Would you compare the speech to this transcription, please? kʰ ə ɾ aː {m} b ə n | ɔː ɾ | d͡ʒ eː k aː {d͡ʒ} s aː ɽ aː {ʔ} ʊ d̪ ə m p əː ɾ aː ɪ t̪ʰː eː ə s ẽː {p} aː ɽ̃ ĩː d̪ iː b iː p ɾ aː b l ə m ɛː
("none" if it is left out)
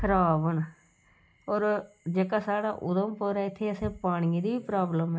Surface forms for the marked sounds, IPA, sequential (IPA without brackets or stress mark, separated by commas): none, none, ʔ, p